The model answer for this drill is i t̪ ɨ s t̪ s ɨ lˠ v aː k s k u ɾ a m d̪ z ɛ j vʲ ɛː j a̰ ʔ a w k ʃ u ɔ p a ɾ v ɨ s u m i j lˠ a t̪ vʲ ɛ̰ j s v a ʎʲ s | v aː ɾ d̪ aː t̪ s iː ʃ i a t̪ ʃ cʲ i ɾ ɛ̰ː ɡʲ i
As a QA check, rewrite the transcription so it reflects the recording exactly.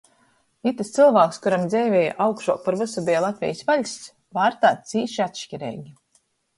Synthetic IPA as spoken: i t̪ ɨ s t̪ s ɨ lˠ v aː k s k u ɾ a m d̪ z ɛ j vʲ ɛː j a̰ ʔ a w k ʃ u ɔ p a ɾ v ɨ s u b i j lˠ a t̪ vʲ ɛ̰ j s v a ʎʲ s | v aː ɾ t̪ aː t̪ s iː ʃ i a t̪ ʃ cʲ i ɾ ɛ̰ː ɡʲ i